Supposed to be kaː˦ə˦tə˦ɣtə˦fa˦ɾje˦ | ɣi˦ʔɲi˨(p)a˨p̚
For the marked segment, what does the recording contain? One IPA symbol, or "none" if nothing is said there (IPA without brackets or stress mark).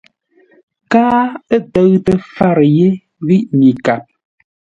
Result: k